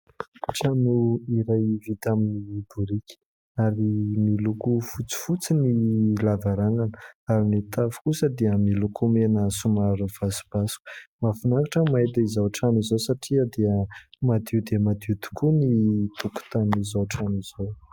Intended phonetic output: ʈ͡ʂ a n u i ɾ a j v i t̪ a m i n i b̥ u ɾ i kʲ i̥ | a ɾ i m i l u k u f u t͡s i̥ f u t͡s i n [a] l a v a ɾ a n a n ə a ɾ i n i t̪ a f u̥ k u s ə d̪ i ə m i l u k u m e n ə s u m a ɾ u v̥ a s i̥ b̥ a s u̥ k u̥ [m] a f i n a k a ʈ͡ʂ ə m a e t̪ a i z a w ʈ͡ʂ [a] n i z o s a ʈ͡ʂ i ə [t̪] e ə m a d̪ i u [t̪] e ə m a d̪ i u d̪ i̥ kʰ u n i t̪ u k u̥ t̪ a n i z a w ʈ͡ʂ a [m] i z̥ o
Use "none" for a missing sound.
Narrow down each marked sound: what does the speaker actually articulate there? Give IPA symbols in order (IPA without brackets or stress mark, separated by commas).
i, m, a, d̪, d̪, n